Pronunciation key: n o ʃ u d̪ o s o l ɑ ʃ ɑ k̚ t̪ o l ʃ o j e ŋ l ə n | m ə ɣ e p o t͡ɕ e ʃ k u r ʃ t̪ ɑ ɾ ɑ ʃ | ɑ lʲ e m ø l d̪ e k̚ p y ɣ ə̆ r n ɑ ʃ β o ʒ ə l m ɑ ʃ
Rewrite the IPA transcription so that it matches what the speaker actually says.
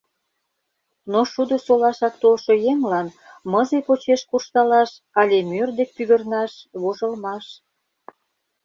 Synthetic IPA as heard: n o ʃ u d̪ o s o l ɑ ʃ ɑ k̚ t̪ o l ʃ o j e ŋ l ɑ n | m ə z e p o t͡ɕ e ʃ k u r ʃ t̪ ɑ l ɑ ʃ | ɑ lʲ e m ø r d̪ e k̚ p y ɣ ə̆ r n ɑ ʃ β o ʒ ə l m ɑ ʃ